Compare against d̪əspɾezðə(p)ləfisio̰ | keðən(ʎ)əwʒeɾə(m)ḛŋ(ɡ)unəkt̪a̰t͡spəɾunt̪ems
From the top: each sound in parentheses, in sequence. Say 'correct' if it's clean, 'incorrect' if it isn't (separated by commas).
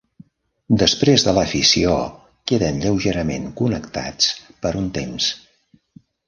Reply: incorrect, correct, correct, incorrect